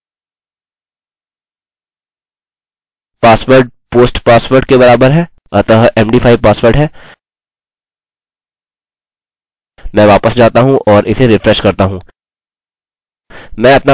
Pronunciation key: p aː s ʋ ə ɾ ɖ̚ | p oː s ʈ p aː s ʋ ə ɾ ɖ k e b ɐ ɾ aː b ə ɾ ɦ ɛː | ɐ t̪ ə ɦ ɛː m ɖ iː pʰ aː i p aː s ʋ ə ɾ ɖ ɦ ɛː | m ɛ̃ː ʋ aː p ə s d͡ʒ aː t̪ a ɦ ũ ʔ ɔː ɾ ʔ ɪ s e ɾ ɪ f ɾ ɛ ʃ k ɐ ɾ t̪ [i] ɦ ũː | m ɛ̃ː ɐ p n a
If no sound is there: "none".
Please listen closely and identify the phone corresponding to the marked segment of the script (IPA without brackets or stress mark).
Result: a